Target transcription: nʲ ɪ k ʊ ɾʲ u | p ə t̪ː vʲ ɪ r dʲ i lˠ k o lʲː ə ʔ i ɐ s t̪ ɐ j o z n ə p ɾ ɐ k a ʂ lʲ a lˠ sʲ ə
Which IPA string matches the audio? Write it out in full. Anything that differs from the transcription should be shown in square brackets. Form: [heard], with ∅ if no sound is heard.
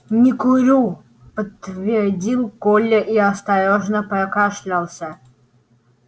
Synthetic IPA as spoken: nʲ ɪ k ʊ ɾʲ u | p ə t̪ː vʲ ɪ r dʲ i lˠ k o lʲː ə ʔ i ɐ s t̪ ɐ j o [ʐ] n ə p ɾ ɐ k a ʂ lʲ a lˠ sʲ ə